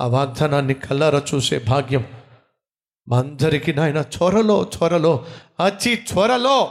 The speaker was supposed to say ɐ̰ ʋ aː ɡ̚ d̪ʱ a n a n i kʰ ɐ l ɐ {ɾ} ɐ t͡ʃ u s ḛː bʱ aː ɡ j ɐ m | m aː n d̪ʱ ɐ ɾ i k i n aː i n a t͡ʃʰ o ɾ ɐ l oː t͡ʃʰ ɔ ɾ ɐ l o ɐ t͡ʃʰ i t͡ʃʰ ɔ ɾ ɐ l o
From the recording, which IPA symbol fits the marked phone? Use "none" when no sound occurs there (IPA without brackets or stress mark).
ɾ